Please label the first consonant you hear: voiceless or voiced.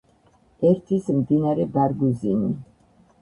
voiced